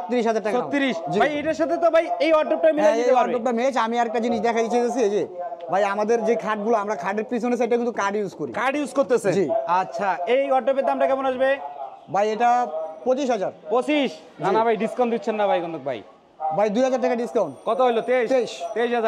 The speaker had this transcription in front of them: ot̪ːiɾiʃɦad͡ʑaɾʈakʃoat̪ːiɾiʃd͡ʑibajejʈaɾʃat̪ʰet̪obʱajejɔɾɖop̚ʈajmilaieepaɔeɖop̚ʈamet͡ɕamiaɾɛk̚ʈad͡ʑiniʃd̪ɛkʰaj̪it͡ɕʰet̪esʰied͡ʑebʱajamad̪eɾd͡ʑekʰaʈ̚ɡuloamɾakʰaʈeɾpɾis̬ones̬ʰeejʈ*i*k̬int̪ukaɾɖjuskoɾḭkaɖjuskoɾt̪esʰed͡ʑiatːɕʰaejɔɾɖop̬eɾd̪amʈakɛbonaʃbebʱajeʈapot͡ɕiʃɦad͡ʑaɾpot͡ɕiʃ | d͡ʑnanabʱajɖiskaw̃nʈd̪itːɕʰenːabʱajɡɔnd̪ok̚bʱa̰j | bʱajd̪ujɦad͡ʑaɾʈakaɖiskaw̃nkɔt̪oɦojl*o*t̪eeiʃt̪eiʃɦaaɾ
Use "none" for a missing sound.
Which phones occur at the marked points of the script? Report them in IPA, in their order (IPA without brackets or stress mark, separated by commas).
a, o